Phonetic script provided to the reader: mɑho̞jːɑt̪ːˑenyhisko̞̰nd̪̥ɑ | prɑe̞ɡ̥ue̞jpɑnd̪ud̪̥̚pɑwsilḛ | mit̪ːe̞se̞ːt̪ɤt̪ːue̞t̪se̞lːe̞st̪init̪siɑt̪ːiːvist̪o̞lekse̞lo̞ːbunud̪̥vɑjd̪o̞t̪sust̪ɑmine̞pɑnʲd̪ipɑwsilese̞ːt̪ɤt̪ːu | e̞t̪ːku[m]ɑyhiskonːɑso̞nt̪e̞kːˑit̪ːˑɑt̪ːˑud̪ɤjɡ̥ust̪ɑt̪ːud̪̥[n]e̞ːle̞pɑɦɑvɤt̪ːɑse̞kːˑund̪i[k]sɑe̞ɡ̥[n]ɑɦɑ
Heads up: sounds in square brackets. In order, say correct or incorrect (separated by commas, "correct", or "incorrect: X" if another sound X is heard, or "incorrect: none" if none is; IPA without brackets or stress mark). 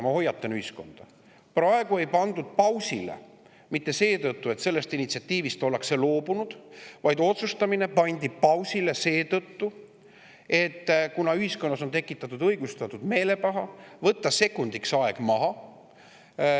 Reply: incorrect: n, incorrect: m, correct, incorrect: m